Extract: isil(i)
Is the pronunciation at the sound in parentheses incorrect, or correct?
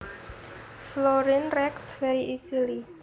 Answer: correct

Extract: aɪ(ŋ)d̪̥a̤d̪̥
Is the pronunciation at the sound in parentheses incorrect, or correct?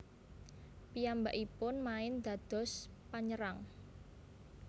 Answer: incorrect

